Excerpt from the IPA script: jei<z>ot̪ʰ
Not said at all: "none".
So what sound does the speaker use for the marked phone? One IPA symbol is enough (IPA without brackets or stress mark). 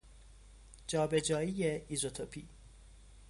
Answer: z